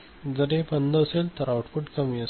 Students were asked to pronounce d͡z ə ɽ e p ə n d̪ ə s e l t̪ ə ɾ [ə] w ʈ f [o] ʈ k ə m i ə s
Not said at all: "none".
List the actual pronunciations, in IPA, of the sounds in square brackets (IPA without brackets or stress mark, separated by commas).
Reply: a, u